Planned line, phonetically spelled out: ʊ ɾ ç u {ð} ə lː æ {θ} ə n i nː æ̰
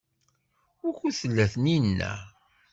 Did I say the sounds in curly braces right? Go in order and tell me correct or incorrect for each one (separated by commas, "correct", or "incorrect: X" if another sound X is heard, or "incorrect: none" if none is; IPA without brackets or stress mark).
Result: incorrect: θ, correct